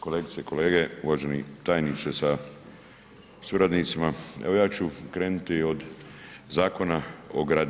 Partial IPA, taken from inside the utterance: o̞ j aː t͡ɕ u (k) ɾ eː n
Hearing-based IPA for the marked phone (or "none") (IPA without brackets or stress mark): k